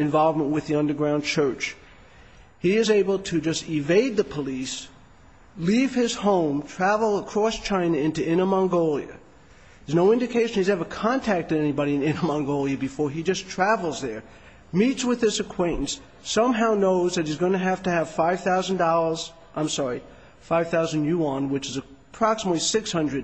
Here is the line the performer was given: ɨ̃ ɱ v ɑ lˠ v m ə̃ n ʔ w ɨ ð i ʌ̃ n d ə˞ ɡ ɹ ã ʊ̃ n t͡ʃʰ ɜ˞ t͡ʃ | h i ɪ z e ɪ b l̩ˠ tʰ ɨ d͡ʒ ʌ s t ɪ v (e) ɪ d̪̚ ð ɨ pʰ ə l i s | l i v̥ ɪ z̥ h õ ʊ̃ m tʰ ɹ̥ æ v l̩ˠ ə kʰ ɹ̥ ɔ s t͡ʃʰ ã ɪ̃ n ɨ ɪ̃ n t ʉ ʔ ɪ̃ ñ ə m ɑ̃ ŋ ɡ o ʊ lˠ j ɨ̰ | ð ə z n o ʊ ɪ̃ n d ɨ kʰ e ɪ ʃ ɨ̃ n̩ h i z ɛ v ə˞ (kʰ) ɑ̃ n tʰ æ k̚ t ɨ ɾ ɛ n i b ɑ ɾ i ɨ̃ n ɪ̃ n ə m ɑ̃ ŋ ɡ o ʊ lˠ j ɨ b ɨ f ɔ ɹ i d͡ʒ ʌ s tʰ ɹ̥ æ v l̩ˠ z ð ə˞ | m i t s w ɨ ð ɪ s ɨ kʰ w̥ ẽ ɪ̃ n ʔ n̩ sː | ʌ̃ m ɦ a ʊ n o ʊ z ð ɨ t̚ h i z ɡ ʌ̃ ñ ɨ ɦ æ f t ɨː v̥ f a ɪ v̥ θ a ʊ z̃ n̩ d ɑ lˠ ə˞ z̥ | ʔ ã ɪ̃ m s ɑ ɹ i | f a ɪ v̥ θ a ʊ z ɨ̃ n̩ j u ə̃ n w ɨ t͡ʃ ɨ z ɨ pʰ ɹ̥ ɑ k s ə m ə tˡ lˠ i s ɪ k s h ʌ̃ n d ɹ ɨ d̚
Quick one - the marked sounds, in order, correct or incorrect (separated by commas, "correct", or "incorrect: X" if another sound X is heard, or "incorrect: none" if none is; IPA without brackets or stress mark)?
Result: correct, correct